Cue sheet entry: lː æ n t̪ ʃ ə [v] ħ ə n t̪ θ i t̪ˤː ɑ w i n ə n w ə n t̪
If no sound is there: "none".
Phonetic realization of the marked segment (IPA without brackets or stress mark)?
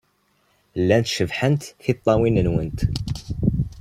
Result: v